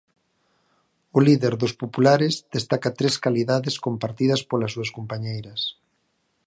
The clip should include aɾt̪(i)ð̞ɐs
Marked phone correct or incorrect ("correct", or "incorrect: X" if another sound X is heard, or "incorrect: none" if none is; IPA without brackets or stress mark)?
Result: correct